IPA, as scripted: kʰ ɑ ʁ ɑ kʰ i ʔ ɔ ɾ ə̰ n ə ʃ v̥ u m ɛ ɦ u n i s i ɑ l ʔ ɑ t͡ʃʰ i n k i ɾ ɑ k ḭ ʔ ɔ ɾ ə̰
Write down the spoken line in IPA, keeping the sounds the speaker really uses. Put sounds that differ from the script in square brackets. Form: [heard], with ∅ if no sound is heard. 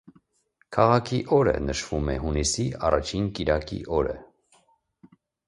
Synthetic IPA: kʰ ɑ ʁ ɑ kʰ i ʔ ɔ ɾ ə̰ n ə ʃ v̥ u m ɛ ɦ u n i s i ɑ [r] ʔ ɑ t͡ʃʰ i n k i ɾ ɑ k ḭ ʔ ɔ ɾ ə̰

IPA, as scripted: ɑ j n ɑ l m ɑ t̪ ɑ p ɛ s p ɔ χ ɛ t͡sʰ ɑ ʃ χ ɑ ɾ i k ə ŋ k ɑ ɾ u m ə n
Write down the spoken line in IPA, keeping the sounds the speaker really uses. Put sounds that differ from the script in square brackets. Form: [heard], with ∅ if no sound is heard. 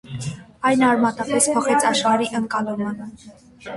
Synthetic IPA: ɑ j n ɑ [ɾ] m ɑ t̪ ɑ p ɛ s [pʰ] ɔ χ ɛ t͡sʰ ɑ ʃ χ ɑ ɾ i [ʔ] ə ŋ k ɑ [l] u m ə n

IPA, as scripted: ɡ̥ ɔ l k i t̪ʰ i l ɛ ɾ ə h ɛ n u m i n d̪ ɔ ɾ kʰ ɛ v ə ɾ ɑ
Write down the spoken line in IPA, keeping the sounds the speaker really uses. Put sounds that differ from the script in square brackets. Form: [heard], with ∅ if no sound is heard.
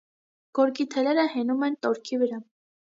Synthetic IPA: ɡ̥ ɔ [ɾ] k i t̪ʰ [ɛ] l ɛ ɾ ə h ɛ n u m [ɛ] n [t̪] ɔ ɾ kʰ [i] v ə ɾ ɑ

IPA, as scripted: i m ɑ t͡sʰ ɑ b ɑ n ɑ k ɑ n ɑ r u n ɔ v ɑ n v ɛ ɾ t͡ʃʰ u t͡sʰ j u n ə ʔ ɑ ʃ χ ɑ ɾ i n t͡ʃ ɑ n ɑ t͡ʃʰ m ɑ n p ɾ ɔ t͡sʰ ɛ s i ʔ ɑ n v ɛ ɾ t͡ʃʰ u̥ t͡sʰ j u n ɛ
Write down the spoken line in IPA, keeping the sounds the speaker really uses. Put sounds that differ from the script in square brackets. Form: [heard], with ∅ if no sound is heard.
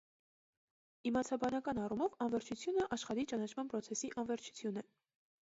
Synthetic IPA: i m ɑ t͡sʰ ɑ b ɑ n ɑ k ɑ n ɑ r u [m] ɔ v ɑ n v ɛ ɾ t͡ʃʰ u t͡sʰ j u n ə ʔ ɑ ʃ χ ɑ ɾ i [∅] t͡ʃ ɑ n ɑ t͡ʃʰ m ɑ n p ɾ ɔ t͡sʰ ɛ s i ʔ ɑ n v ɛ ɾ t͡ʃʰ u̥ t͡sʰ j u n ɛ

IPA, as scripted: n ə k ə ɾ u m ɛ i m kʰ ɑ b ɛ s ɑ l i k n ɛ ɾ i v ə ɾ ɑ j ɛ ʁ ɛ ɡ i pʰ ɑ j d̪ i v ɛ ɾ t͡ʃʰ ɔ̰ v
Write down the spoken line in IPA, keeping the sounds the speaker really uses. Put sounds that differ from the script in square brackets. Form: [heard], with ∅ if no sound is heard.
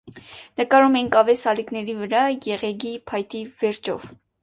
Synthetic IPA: n ə k [ɑ] ɾ u m ɛ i [ŋ] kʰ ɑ [v] ɛ s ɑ l i k n ɛ ɾ i v ə ɾ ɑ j ɛ ʁ ɛ ɡ i pʰ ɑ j [t̪] i v ɛ ɾ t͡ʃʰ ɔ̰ v

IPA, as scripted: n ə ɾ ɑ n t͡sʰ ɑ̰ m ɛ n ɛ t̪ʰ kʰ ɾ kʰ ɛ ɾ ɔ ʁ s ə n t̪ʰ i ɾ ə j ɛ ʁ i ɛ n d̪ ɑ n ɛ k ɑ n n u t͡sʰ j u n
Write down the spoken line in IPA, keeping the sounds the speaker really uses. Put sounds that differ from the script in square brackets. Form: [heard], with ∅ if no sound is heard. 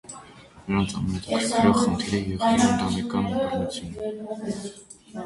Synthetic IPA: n ə ɾ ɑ n t͡sʰ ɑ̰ m ɛ n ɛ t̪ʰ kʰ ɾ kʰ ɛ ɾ ɔ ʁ [χ] ə n t̪ʰ i ɾ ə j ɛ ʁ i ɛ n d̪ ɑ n ɛ k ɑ n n u t͡sʰ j u n

